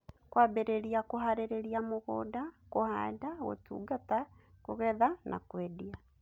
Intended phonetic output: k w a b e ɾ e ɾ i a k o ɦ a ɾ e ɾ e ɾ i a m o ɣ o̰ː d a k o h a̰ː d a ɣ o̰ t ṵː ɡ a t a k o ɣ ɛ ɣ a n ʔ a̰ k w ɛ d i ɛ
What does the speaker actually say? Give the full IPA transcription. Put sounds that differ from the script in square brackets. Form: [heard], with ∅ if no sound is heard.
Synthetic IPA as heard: k w a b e ɾ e ɾ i a k o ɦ a ɾ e ɾ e ɾ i a m o ɣ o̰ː d a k o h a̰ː d a ɣ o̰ t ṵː ɡ a t a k o ɣ ɛ [ð] a n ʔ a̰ k w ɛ d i [a]